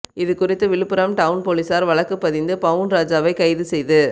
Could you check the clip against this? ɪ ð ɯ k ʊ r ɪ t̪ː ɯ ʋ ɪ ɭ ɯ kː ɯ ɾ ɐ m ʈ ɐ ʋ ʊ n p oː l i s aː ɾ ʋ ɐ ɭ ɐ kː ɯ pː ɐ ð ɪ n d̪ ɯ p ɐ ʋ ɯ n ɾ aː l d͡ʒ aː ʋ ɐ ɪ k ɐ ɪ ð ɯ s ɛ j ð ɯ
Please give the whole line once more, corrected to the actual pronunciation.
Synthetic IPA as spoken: ɪ ð ɯ k ʊ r ɪ t̪ː ɯ ʋ ɪ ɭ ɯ pː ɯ ɾ ɐ m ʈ ɐ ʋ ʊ n p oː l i s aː ɾ ʋ ɐ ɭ ɐ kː ɯ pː ɐ ð ɪ n d̪ ɯ p ɐ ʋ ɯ n ɾ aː d͡ʒ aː ʋ ɐ ɪ k ɐ ɪ ð ɯ s ɛ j ð ɯ